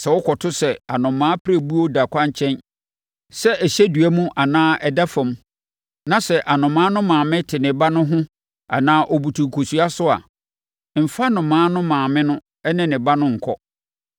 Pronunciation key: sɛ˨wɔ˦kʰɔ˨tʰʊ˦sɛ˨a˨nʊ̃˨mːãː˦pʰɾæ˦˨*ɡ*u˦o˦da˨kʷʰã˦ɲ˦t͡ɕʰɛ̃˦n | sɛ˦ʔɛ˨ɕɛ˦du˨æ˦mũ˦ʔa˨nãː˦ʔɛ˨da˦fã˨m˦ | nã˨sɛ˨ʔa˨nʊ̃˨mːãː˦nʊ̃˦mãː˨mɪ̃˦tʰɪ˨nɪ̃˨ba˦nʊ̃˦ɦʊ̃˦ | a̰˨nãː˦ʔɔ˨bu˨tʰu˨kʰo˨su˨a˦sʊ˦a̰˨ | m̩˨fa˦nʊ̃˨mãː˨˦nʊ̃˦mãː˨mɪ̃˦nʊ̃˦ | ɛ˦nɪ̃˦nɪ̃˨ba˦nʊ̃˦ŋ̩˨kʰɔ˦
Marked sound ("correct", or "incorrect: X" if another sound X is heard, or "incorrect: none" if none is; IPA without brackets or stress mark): incorrect: b